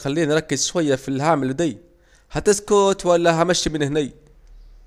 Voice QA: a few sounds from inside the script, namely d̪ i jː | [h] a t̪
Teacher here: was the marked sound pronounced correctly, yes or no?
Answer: yes